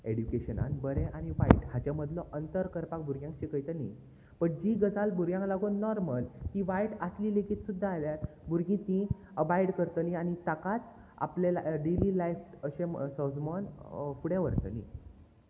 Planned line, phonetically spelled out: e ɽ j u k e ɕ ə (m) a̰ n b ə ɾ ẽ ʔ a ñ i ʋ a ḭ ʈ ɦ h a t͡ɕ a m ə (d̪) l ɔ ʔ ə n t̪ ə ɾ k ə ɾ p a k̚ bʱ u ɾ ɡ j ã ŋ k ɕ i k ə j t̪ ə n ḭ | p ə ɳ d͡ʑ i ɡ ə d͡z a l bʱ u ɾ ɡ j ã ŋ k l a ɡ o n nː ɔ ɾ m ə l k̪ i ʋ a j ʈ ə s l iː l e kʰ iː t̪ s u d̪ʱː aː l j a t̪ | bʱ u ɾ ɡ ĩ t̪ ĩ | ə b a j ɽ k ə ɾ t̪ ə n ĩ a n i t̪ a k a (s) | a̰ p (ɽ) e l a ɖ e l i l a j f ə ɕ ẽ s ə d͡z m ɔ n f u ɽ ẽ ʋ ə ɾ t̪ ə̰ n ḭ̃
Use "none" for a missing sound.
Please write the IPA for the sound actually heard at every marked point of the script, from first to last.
n, d̪, t͡s, l

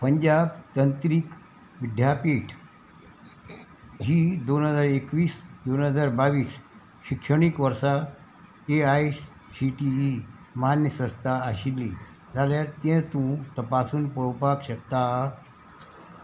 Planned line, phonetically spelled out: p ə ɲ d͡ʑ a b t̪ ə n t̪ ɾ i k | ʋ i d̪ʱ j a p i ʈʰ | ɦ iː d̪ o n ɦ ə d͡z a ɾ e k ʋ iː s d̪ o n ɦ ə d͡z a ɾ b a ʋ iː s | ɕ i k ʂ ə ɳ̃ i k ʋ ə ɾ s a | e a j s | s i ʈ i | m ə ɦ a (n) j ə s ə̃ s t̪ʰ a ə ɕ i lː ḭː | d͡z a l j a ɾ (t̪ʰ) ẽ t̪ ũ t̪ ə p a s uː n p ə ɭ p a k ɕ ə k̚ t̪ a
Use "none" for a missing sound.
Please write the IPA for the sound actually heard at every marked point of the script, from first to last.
n, t̪

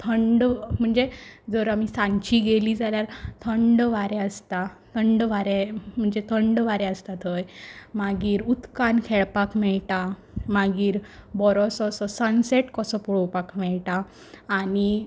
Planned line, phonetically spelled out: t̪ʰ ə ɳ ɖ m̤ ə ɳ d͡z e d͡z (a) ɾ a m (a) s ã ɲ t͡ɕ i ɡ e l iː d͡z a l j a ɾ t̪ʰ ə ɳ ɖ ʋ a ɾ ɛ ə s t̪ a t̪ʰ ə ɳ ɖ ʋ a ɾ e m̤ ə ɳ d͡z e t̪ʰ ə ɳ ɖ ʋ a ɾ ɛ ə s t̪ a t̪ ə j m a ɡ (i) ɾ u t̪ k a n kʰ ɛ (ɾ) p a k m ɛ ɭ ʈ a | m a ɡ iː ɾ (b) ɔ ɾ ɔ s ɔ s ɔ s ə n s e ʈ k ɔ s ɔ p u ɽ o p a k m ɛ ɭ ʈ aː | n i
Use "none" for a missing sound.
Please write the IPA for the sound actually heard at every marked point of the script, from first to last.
ə, i, iː, ɭ, b

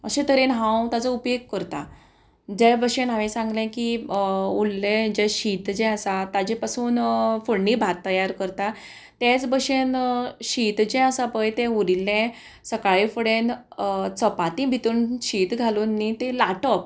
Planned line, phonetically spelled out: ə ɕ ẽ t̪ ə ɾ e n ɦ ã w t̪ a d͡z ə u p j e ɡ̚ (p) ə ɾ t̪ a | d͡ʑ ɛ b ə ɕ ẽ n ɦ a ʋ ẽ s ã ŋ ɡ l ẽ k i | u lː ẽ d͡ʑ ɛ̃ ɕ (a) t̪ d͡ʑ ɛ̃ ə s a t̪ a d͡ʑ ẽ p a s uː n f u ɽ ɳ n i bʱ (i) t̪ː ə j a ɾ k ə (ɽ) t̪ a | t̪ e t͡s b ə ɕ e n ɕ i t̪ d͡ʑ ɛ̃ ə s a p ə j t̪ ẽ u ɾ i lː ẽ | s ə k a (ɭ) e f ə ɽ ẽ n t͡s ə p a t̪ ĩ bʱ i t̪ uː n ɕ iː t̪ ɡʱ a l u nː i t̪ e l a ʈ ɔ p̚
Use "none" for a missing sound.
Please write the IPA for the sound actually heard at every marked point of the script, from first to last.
k, i, a, ɾ, ɭ

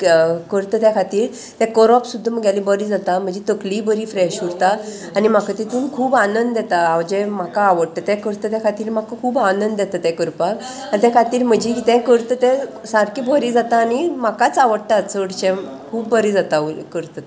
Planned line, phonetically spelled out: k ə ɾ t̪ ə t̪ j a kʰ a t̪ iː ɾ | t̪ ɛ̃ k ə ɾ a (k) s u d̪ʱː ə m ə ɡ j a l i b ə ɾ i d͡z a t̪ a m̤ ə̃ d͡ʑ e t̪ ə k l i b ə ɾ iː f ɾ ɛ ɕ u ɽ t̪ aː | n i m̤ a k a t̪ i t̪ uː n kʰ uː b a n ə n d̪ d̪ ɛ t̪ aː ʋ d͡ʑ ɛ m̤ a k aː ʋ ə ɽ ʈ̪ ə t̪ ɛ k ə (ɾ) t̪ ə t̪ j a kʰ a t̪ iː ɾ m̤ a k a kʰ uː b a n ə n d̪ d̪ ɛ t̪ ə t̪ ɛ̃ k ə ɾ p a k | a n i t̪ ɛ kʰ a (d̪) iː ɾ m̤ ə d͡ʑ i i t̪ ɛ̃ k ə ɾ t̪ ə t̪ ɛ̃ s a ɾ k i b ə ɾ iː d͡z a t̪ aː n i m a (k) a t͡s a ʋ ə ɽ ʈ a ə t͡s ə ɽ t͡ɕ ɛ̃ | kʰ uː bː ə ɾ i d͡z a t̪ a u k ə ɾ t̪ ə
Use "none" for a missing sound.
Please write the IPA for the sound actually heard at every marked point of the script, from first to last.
p, ɾ, t̪, k

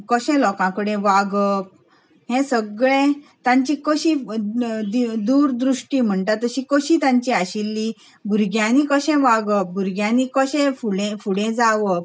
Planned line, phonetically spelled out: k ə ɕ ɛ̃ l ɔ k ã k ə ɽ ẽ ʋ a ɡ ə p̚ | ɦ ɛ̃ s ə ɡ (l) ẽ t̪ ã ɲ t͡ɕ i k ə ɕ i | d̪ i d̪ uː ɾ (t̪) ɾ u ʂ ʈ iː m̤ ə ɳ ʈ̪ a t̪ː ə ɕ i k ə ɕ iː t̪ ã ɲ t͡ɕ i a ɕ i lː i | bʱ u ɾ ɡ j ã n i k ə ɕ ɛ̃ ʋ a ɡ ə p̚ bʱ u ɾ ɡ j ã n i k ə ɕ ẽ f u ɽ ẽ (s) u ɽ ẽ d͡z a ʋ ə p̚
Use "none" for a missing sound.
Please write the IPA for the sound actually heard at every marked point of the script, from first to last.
ɭ, d̪, f

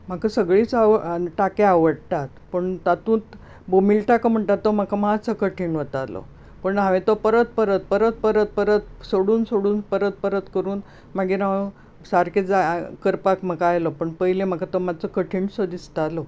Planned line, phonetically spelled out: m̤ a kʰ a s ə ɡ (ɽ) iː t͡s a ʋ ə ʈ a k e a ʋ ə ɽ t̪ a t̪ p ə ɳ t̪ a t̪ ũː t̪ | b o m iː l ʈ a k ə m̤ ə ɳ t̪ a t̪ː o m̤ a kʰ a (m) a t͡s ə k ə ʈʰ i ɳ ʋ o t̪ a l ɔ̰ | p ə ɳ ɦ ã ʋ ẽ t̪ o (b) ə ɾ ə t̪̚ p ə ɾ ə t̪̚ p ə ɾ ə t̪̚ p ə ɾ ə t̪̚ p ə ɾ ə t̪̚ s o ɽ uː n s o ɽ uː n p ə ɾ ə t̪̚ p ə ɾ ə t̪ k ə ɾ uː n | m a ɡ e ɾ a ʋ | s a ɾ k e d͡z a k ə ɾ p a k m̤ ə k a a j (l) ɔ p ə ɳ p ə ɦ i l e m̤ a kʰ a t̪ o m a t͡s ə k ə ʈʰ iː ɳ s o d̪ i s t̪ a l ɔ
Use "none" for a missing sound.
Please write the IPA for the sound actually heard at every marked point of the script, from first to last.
ɭ, m, p, l

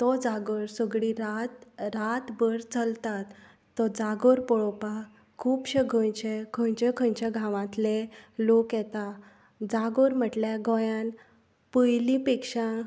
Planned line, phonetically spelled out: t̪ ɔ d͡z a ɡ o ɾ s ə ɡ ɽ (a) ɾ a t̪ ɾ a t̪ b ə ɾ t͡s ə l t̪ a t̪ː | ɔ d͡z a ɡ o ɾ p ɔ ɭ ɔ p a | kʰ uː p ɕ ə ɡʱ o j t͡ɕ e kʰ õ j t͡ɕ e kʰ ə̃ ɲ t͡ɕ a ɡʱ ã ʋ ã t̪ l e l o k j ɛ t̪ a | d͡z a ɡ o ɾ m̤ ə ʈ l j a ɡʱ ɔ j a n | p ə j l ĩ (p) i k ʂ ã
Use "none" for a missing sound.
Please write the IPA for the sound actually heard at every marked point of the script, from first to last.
i, p

